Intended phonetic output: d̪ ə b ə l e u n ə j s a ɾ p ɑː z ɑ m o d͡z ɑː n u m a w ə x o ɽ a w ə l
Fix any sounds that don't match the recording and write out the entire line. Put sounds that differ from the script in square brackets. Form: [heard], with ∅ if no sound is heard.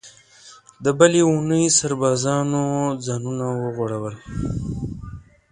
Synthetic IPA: d̪ ə b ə l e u n ə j s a ɾ [b] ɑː z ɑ [n] o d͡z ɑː n u [n] a w ə [ɣ] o ɽ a w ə l